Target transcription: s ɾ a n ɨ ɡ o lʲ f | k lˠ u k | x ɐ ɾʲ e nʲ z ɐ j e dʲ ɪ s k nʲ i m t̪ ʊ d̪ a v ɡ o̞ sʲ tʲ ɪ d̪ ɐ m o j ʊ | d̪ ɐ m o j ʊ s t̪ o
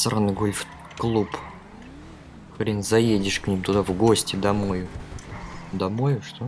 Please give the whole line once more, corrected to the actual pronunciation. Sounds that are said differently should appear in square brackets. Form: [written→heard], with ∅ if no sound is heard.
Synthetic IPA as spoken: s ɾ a n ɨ ɡ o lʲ f | k lˠ u [k→p] | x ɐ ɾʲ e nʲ z ɐ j e dʲ ɪ [s→ʂ] k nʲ i m t̪ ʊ d̪ a v ɡ o̞ sʲ tʲ ɪ d̪ ɐ m o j ʊ | d̪ ɐ m o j ʊ [s→ʂ] t̪ o